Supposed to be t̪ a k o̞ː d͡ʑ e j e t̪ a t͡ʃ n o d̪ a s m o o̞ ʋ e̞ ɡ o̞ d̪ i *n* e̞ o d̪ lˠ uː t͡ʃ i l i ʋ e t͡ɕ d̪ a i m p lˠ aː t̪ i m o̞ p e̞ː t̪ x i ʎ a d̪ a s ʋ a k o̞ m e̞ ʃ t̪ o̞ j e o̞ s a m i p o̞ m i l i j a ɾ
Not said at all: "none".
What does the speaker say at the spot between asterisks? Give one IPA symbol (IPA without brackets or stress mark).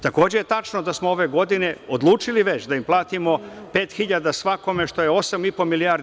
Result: n